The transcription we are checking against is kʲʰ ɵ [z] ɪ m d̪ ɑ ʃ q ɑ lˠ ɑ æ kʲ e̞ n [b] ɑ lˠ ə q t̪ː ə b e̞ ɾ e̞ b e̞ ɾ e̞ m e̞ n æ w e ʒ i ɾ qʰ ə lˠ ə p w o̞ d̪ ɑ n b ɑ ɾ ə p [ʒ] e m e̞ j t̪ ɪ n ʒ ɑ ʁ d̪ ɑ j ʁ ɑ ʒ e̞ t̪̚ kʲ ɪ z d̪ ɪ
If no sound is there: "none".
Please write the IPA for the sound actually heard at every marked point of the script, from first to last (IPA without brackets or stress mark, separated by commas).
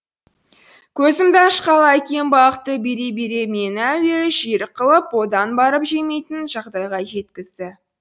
z, b, ʒ